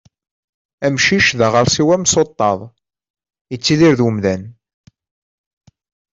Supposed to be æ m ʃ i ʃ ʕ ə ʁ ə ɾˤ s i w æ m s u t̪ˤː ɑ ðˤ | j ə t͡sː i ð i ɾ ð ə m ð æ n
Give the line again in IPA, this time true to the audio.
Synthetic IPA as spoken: æ m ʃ i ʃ ð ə ʁ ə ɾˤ s i w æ m s o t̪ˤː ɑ ðˤ | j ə t͡sː i ð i ɾ ð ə m ð æ n